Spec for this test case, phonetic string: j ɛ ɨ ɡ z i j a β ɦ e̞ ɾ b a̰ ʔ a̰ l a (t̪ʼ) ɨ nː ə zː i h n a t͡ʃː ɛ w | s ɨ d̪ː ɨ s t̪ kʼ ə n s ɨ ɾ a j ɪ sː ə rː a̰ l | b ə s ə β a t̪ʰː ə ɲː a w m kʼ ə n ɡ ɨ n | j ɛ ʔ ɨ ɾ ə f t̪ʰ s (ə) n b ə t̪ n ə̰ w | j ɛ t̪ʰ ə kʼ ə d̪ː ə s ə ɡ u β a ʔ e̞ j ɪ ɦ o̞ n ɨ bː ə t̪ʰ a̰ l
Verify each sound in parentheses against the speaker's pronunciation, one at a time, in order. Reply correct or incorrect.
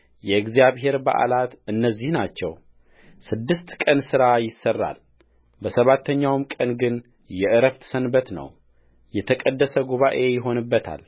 incorrect: t̪, correct

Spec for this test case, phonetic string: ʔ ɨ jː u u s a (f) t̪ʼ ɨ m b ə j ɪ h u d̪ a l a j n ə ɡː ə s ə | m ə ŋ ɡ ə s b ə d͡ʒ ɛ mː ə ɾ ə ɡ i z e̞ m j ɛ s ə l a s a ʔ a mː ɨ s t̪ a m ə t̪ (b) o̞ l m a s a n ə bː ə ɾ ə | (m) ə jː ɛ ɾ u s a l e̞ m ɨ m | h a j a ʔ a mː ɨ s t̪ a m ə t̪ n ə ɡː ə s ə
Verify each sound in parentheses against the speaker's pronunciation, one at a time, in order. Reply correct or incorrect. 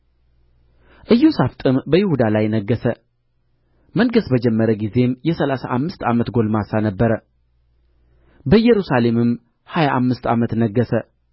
correct, incorrect: ɡ, incorrect: b

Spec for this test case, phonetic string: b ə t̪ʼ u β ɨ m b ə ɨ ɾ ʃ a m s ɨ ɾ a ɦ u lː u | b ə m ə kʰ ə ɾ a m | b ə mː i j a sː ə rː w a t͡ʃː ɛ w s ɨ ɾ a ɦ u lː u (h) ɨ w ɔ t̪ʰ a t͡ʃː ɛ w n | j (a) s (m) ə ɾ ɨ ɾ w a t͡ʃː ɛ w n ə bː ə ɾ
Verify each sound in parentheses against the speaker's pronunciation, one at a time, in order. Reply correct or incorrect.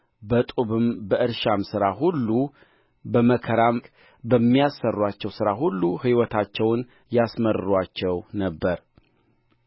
correct, correct, correct

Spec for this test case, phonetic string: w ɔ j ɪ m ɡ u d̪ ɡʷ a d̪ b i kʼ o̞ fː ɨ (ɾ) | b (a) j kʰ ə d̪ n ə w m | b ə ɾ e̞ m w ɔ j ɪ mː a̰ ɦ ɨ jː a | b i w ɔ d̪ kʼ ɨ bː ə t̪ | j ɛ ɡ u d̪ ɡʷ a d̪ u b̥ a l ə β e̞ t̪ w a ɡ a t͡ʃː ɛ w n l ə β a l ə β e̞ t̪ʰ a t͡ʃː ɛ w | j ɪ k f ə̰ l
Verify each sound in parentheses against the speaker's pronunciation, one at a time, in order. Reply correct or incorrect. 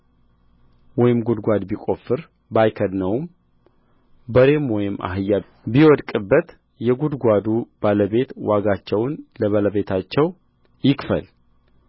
correct, correct

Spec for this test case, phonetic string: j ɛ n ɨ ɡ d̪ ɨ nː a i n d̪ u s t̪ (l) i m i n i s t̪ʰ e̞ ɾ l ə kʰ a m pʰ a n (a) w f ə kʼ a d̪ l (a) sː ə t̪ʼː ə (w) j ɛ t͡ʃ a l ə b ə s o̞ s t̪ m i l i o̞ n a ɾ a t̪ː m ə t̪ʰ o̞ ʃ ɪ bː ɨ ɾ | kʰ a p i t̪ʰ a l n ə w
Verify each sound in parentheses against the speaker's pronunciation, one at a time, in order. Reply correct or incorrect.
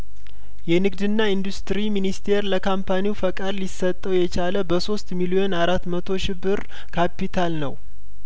incorrect: ɾ, incorrect: i, incorrect: i, correct

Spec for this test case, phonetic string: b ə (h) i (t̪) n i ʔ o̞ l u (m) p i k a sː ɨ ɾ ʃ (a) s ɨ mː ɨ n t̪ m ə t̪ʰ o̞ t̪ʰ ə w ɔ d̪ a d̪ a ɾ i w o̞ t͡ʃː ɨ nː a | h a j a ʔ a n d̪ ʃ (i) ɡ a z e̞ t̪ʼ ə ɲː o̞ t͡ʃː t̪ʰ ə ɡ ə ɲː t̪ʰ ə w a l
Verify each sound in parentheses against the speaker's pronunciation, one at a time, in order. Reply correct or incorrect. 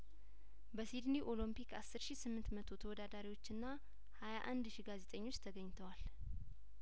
incorrect: s, incorrect: d̪, correct, incorrect: i, correct

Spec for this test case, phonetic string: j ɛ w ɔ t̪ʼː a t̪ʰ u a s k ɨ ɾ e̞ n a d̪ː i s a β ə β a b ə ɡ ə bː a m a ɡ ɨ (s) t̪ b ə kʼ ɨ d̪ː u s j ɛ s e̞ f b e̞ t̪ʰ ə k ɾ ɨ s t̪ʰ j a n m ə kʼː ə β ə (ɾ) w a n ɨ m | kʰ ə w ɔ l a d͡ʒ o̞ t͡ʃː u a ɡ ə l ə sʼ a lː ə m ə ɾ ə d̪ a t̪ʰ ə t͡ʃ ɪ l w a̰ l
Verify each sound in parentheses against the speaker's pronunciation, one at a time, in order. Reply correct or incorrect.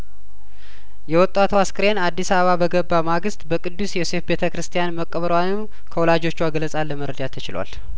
correct, correct

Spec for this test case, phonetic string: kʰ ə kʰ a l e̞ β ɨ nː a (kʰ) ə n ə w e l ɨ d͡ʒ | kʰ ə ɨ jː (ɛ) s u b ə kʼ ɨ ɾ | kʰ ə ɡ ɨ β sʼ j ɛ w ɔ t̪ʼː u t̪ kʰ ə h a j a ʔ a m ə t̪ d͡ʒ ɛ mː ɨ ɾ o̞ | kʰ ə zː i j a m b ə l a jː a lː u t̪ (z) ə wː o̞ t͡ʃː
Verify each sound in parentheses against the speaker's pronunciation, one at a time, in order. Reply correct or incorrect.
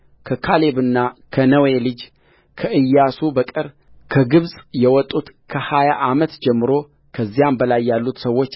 correct, incorrect: a, incorrect: s

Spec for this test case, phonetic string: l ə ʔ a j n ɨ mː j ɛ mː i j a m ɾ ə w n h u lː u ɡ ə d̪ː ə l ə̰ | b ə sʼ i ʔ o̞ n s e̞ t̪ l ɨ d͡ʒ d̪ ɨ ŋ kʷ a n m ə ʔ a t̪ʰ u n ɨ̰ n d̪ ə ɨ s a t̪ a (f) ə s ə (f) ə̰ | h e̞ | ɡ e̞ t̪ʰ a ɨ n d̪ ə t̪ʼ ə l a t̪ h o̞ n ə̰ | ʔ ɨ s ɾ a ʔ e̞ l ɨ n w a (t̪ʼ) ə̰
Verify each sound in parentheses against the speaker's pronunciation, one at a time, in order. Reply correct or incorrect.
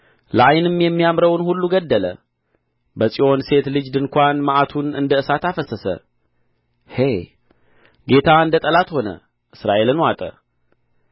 correct, incorrect: s, correct

